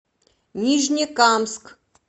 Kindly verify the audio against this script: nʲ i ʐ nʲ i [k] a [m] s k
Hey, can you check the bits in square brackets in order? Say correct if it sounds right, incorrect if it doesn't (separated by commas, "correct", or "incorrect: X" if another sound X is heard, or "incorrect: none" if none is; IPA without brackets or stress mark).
correct, correct